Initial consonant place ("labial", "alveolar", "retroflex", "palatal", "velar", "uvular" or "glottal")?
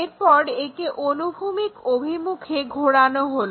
alveolar